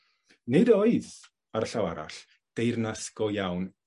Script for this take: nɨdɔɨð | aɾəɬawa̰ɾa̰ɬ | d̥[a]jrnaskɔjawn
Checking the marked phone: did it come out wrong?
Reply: yes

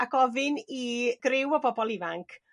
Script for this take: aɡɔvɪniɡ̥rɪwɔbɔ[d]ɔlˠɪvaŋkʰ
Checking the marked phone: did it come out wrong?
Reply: yes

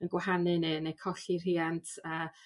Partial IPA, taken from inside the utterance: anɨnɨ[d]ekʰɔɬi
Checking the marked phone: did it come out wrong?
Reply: yes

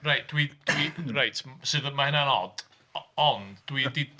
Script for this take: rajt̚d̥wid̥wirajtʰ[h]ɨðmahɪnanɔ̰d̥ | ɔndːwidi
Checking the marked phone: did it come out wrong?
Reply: yes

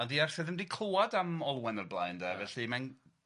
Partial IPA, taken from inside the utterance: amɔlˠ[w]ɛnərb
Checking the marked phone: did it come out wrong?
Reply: no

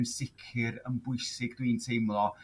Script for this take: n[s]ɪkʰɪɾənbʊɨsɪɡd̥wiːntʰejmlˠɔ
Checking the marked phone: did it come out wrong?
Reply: no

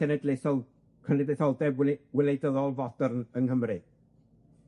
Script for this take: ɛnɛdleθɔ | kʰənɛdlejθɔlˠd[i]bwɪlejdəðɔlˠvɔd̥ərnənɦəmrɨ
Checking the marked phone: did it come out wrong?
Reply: yes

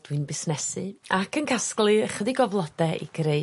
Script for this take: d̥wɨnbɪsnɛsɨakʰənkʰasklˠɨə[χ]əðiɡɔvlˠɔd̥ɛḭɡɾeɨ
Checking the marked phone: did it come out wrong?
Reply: no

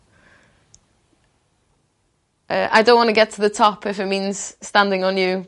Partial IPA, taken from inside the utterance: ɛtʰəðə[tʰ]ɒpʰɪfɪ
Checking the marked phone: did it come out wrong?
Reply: no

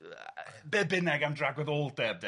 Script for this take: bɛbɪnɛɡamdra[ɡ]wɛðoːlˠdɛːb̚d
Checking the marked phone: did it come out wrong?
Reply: no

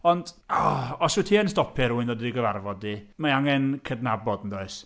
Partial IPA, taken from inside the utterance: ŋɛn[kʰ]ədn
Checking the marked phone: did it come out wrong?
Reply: no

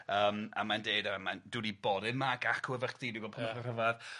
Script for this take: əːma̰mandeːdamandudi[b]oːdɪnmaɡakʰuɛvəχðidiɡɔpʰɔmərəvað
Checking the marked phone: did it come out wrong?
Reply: no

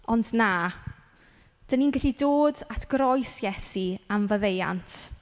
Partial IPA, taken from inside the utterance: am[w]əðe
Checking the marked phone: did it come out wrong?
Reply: yes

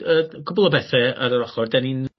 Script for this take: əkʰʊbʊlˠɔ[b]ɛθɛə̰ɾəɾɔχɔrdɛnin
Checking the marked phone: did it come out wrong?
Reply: no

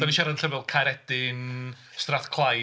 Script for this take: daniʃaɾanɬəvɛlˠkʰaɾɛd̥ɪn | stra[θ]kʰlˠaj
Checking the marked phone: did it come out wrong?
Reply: no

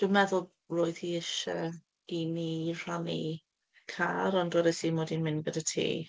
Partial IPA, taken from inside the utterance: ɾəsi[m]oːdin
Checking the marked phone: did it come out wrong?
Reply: no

